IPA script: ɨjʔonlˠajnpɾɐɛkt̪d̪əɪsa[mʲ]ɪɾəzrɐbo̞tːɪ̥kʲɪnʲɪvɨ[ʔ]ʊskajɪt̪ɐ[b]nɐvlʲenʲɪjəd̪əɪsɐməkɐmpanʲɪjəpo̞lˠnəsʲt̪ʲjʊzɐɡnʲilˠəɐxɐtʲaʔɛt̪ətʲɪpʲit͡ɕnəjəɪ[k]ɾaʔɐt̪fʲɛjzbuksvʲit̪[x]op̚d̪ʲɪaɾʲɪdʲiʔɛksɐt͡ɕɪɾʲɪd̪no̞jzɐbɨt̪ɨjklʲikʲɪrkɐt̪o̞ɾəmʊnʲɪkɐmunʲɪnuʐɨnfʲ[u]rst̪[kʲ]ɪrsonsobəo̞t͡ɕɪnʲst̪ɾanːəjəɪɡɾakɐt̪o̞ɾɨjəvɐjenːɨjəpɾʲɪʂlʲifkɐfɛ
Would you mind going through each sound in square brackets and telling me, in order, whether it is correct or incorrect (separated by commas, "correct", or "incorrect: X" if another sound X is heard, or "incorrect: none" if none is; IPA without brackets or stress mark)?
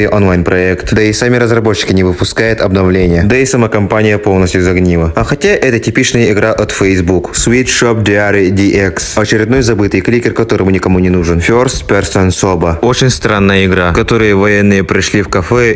correct, incorrect: p, correct, incorrect: ɡ, incorrect: ʂ, incorrect: o, incorrect: pʲ